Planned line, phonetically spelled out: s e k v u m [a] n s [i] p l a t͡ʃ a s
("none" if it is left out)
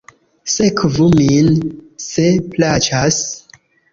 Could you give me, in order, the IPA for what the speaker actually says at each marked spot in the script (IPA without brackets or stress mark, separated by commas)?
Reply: i, e